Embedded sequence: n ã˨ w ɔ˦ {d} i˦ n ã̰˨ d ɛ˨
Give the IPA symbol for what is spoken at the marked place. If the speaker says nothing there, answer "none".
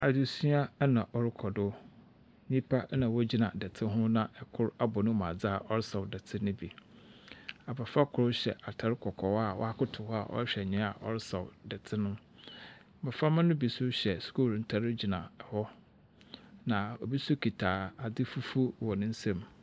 d͡ʑ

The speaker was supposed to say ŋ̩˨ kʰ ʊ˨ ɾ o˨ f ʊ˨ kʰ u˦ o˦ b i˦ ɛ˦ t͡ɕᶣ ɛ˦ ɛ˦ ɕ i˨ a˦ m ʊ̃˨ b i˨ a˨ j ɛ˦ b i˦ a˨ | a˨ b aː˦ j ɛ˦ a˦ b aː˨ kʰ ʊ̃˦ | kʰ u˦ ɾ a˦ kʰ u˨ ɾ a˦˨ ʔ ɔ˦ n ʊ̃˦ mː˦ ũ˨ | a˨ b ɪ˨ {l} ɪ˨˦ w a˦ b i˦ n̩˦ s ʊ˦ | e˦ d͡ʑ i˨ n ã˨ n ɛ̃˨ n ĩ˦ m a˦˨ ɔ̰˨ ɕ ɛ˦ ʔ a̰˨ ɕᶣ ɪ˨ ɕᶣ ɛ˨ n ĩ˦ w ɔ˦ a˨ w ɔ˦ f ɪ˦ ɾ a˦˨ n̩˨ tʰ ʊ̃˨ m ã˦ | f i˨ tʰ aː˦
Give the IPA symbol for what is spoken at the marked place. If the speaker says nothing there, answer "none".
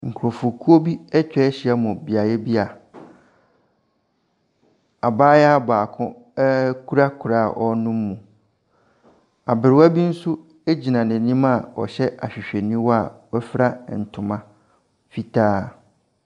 ɾ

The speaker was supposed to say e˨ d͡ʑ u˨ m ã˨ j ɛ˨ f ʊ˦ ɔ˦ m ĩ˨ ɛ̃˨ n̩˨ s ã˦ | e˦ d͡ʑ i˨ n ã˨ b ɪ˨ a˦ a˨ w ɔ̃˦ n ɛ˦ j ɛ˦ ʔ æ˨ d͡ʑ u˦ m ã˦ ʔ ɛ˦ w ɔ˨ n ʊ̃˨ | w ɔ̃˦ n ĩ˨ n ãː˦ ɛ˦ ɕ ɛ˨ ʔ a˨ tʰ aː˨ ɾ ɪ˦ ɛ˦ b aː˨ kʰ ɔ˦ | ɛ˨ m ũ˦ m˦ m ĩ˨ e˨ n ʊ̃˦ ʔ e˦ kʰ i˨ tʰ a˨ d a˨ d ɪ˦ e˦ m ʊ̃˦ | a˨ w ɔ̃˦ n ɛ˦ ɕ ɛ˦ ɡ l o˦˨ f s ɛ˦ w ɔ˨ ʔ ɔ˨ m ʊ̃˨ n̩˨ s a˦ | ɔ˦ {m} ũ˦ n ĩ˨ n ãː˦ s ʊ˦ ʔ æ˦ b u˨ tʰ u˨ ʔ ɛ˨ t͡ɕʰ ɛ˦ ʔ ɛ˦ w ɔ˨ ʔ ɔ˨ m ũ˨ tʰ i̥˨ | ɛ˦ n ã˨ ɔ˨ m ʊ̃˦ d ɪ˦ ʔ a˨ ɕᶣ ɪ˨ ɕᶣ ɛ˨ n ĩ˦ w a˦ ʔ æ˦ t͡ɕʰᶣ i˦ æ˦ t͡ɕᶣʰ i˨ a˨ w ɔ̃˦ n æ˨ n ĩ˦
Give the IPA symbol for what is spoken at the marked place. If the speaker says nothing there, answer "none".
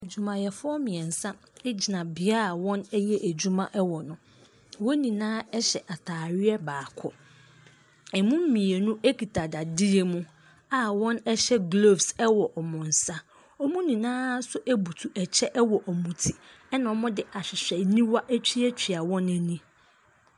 m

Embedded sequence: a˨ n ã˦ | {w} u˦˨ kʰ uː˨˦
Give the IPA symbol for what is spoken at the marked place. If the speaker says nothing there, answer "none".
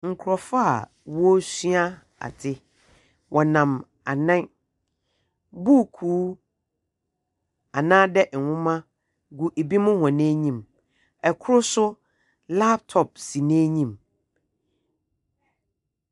b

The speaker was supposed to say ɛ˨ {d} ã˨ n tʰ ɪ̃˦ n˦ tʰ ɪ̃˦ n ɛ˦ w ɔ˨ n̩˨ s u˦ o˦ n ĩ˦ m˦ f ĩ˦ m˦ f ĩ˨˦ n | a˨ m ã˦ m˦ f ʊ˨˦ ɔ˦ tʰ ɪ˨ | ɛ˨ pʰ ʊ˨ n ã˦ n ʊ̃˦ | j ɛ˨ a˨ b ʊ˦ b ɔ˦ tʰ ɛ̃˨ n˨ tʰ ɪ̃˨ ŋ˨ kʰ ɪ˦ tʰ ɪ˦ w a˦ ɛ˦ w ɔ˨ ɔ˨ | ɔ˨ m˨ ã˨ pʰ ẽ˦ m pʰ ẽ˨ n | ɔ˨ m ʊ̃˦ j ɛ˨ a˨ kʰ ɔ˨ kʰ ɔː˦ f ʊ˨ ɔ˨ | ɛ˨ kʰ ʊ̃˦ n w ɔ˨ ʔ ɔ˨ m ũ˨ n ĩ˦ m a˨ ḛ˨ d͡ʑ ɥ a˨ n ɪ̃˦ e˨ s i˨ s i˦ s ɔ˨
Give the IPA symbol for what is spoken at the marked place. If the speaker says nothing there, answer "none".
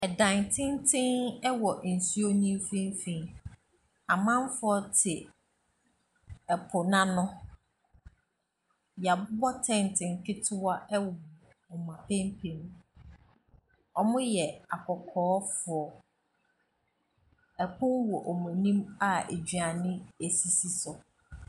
d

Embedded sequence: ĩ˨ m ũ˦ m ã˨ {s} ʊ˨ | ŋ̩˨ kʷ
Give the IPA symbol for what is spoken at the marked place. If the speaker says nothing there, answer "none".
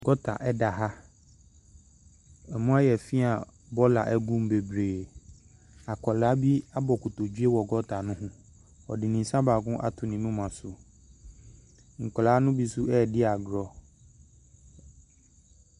s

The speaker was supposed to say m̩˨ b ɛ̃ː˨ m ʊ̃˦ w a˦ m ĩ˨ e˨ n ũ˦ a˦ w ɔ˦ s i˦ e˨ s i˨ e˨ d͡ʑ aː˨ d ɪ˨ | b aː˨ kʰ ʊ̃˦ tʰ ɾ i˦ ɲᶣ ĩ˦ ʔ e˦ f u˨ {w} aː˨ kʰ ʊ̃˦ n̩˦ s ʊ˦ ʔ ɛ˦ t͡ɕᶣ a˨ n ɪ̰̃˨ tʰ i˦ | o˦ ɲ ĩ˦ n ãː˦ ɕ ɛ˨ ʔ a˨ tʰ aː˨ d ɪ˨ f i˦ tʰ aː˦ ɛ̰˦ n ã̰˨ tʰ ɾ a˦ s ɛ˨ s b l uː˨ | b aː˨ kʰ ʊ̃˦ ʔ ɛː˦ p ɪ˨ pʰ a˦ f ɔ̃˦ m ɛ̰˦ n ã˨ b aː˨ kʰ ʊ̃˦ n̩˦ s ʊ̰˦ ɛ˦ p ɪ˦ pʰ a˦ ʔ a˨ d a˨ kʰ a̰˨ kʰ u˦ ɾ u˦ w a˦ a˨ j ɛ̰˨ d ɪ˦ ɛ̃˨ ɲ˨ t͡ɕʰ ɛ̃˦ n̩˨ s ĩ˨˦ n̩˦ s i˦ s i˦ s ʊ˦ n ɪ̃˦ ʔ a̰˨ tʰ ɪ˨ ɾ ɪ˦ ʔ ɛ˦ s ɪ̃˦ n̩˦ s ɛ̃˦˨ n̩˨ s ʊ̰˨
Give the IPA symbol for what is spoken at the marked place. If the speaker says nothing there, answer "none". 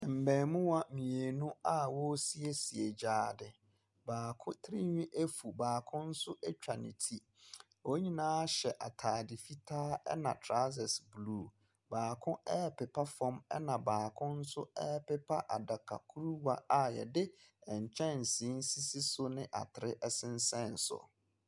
b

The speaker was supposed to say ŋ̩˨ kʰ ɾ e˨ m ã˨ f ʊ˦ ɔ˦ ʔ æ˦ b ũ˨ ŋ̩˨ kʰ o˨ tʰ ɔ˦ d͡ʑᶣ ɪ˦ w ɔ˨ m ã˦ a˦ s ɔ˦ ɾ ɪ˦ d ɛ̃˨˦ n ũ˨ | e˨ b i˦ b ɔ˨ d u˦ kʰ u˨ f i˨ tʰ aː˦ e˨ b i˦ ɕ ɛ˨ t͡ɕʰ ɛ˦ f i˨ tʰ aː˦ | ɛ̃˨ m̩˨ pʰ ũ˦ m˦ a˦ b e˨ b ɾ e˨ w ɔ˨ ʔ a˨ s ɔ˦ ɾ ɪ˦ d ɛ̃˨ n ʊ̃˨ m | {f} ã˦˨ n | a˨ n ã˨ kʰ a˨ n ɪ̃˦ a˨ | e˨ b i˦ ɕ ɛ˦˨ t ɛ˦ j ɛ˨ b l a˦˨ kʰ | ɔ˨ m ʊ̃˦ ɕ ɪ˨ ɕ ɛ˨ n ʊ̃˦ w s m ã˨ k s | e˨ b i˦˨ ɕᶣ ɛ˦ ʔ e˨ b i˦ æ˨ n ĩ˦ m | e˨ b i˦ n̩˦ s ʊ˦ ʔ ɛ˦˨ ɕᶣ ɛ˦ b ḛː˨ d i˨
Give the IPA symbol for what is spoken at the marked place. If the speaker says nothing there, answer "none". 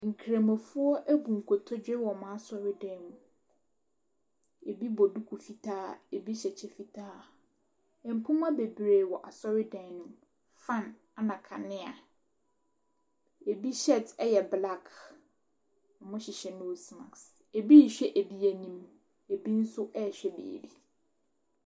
f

